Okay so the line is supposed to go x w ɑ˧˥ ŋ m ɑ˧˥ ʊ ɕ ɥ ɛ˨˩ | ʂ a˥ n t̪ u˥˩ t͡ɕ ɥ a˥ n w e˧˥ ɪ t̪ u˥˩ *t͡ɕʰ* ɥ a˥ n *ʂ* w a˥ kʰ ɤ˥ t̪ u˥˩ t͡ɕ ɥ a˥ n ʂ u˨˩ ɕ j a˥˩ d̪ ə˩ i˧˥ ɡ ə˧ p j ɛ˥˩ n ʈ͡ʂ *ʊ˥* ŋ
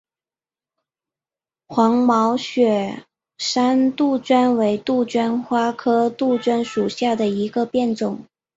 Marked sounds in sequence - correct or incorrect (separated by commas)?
incorrect, incorrect, incorrect